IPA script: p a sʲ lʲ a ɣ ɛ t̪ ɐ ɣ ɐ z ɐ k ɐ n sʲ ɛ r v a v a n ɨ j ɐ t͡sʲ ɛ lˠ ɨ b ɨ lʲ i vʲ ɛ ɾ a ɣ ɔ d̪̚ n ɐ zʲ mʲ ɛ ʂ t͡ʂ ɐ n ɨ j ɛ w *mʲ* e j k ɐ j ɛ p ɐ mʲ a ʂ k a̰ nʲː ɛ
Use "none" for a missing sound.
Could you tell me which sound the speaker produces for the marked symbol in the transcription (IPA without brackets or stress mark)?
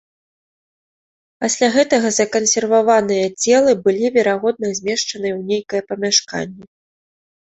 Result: nʲ